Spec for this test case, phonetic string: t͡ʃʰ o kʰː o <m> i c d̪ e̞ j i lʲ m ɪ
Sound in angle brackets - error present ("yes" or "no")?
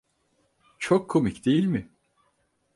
no